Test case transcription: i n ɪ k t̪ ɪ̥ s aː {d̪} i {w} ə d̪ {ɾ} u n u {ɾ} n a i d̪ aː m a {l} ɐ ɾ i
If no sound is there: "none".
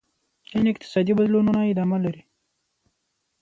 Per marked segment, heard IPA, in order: d̪, b, l, none, l

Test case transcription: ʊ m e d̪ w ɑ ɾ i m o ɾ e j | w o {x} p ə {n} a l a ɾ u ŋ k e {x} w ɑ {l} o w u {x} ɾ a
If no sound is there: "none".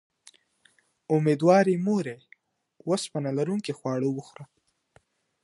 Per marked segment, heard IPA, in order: s, n, x, ɽ, x

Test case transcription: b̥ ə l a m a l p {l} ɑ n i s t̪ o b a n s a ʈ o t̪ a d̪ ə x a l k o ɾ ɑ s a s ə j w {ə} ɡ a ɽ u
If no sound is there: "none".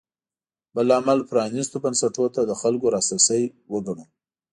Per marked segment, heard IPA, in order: ɾ, ə

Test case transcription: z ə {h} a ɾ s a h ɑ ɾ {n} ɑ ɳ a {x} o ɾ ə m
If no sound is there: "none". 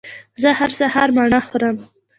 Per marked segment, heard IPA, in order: h, m, x

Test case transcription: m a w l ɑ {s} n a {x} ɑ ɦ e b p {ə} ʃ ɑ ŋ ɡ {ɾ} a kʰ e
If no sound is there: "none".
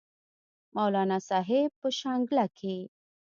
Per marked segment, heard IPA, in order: none, s, ə, l

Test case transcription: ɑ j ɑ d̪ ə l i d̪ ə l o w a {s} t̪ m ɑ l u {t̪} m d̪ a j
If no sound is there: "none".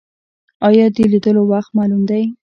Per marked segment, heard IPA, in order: x, none

